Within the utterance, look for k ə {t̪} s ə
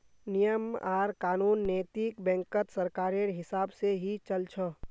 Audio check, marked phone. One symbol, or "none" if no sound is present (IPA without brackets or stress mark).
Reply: t̪